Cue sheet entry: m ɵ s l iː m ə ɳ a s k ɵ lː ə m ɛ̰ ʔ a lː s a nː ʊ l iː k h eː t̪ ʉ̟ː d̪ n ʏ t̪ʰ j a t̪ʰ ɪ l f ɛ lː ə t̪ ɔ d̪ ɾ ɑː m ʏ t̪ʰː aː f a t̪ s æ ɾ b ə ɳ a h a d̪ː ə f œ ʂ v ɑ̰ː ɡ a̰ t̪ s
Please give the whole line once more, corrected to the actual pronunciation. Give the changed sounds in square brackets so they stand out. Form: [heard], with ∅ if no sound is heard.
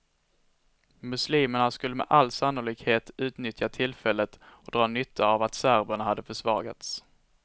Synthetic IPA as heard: m ɵ s l iː m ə ɳ a s k ɵ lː ə m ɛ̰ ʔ a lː s a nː ʊ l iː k h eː t̪ ʉ̟ː [t̪] n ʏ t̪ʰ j a t̪ʰ ɪ l f ɛ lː ə t̪ ɔ d̪ ɾ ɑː [n] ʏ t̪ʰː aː [v] a t̪ s æ ɾ b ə ɳ a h a d̪ː ə f œ ʂ v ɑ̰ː ɡ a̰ t̪ s